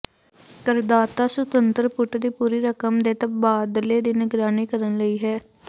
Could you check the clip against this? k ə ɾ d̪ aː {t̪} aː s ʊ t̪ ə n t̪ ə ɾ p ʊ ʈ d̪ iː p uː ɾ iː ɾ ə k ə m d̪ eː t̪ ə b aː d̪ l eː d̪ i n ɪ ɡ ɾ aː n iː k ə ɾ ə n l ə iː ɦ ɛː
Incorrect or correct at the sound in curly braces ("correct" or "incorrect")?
correct